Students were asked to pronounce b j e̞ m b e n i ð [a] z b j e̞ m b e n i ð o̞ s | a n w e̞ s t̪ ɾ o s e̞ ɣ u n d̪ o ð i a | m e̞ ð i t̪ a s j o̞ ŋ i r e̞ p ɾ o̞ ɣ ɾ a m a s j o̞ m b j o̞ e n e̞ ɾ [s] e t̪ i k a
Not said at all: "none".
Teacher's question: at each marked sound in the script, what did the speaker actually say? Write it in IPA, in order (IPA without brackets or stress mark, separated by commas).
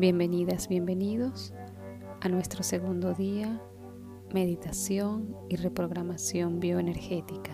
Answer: a, x